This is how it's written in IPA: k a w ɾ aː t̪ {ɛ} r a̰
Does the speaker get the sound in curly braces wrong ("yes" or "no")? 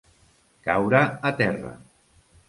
no